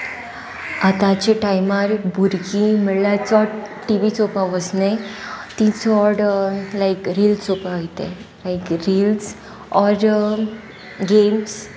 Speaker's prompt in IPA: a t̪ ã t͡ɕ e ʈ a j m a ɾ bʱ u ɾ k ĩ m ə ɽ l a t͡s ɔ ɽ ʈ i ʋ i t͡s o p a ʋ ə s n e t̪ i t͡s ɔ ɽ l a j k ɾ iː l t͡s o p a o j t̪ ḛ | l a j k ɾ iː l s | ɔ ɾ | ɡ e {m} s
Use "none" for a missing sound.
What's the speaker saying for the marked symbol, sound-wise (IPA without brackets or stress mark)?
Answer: m